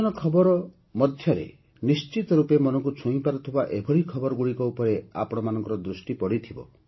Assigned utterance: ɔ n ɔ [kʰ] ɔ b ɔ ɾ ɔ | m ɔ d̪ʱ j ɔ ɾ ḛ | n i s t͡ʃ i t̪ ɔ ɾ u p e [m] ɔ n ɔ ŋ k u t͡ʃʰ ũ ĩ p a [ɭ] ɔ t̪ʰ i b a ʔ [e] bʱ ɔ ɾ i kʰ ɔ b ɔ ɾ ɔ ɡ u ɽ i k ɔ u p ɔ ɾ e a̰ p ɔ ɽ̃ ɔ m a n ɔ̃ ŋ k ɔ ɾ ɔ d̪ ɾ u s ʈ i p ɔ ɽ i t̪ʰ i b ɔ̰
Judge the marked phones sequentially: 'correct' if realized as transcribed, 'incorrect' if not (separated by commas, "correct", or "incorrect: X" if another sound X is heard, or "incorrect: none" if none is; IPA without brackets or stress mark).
correct, correct, incorrect: ɾ, correct